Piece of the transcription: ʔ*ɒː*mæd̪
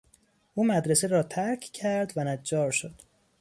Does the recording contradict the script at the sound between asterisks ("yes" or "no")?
yes